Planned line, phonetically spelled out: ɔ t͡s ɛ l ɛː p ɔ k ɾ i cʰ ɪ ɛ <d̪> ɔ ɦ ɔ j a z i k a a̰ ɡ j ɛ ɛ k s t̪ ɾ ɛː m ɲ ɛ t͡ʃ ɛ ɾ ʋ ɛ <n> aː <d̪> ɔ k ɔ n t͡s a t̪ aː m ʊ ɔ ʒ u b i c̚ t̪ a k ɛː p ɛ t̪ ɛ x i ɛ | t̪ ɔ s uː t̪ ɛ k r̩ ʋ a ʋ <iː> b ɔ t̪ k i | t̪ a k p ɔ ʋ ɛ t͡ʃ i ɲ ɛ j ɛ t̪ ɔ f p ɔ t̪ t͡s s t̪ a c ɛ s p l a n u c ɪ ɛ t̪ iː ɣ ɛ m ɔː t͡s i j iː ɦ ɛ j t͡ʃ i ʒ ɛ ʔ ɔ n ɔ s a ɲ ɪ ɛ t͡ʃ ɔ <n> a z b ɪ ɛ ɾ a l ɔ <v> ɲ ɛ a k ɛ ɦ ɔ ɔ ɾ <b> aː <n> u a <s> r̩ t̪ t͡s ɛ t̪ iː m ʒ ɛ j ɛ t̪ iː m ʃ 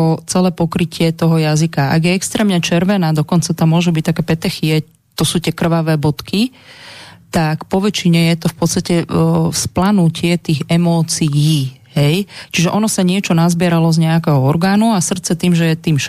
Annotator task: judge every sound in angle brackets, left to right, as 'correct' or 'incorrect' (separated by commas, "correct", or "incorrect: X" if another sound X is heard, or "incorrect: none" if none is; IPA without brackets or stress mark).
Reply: incorrect: t̪, correct, correct, incorrect: ɛː, correct, incorrect: z, incorrect: ɡ, correct, correct